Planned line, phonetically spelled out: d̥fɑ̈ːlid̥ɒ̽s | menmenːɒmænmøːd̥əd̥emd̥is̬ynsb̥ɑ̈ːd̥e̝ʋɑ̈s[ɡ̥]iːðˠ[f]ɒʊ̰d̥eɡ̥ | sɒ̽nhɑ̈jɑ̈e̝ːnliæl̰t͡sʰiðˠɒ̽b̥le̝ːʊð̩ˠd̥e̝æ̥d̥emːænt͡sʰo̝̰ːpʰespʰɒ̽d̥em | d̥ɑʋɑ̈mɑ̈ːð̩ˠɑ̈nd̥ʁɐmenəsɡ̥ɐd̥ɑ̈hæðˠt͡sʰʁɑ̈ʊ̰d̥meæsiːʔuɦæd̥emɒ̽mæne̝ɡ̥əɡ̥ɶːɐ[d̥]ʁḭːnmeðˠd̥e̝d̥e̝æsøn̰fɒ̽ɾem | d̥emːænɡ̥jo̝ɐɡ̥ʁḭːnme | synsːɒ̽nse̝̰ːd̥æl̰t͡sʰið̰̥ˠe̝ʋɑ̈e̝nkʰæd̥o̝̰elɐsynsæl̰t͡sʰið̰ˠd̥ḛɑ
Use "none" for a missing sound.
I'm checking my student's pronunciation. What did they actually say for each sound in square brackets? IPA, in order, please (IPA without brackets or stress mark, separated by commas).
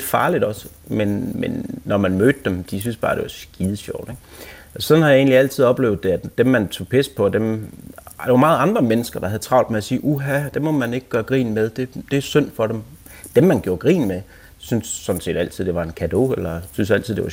ɡ̥, ɕ, ɡ̥